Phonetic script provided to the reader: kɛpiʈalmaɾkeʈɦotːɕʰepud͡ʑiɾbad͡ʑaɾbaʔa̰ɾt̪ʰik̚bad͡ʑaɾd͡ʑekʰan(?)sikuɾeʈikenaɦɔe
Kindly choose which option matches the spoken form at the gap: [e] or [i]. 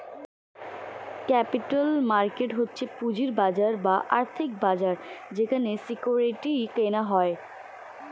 e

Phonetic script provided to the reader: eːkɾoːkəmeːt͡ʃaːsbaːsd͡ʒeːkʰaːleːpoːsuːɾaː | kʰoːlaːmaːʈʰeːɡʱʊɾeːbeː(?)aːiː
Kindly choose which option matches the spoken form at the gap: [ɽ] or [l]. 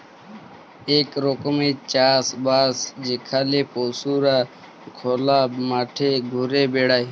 ɽ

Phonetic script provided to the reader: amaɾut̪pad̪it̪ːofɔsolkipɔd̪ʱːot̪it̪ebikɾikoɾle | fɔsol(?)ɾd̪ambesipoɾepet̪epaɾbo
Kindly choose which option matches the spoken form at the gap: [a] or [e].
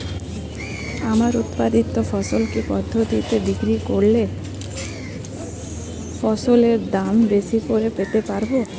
e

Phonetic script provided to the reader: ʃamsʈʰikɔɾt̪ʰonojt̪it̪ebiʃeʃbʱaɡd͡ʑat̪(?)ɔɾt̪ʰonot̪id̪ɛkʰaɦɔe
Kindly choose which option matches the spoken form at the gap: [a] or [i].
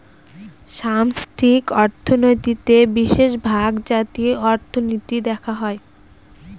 i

